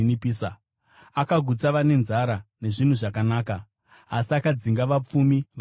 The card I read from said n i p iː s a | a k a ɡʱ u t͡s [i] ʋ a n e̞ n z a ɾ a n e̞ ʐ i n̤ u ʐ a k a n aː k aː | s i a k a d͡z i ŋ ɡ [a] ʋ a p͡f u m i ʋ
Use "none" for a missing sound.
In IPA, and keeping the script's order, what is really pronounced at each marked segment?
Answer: a, a

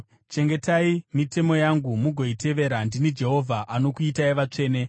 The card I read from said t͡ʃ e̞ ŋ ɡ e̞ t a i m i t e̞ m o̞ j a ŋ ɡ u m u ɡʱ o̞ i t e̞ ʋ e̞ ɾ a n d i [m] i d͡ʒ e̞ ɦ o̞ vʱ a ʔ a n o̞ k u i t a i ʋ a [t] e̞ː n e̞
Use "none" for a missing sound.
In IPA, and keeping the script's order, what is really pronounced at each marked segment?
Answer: n, t͡ʂ

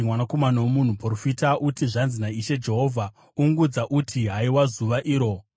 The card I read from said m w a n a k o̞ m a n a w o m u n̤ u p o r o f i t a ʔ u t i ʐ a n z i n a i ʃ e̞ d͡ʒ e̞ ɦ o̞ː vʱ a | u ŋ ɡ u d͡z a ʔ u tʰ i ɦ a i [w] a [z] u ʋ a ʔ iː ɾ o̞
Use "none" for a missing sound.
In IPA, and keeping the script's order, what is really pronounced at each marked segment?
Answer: w, z

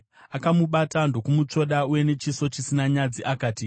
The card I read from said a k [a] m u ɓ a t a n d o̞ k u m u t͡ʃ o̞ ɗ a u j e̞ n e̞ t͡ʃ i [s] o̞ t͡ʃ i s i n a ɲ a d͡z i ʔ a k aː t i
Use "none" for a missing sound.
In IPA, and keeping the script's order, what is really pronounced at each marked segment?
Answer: a, s

